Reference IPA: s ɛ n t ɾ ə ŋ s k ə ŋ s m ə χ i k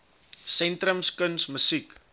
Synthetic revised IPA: s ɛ n t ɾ ə m s k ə n s m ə s i k